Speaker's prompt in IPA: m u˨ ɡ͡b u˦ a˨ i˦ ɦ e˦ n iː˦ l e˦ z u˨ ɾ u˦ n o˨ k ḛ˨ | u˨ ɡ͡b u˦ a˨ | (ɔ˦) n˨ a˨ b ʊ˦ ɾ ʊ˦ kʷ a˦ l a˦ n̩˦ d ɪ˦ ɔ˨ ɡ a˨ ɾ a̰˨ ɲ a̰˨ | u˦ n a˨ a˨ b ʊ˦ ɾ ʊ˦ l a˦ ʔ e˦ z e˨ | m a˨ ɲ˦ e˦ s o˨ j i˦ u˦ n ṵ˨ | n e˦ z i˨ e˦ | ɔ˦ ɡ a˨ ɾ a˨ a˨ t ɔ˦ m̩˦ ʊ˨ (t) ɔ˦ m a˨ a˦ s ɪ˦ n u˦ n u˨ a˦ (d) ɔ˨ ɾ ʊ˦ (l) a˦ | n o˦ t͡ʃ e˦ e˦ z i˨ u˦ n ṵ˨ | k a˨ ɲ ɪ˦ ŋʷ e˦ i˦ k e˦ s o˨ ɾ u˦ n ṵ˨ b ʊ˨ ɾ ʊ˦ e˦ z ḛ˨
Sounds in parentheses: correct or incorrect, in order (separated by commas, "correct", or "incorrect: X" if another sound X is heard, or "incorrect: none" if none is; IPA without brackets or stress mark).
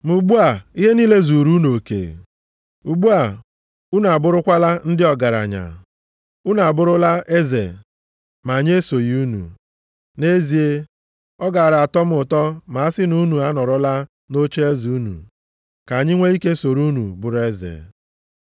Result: incorrect: u˦, correct, incorrect: n, correct